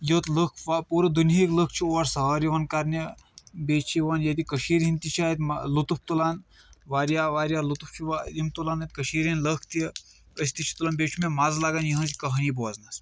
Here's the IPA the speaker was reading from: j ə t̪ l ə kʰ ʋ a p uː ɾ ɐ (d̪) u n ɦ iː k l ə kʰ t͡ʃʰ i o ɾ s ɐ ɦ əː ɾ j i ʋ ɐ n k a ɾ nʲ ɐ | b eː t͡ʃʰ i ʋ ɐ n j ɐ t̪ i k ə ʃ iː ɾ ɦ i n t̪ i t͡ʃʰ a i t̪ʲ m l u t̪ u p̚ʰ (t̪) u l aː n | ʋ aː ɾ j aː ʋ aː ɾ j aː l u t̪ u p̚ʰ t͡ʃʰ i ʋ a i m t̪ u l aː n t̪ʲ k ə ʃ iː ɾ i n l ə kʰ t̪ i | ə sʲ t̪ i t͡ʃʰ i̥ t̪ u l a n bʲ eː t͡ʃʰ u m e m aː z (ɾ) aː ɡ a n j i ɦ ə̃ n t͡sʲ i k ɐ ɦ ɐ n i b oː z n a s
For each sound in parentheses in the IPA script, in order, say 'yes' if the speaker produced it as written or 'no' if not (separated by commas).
yes, yes, no